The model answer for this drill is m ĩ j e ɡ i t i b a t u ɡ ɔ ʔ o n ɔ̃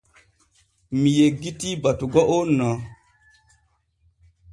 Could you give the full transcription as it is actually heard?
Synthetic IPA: m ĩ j e ɡ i t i b a t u ɡ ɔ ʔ o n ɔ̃